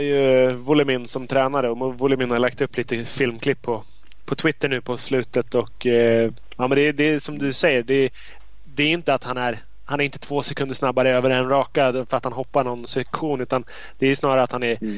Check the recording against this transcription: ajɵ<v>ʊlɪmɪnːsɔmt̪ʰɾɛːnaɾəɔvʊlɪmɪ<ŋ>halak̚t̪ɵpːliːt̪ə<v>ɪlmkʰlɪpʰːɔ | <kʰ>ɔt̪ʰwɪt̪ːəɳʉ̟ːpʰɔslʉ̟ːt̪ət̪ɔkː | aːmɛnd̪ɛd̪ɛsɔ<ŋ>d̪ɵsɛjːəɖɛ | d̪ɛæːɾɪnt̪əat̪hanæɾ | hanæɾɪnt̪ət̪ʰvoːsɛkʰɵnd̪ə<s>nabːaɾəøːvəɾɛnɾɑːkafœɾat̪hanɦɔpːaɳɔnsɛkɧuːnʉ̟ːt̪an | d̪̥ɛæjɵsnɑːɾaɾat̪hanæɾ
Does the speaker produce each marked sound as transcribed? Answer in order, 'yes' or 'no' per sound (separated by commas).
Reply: yes, no, no, no, no, no